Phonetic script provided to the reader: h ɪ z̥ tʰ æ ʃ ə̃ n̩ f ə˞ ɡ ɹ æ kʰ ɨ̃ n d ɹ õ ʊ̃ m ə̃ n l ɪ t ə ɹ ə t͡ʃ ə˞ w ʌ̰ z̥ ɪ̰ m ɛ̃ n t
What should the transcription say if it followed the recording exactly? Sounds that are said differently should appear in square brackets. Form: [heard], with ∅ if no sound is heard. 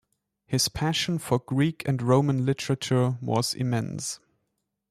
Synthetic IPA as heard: h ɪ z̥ [pʰ] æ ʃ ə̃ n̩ f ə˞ ɡ ɹ [i] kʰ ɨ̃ n d ɹ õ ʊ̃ m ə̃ n l ɪ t ə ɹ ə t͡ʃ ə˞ w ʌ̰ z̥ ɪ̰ m ɛ̃ n [s]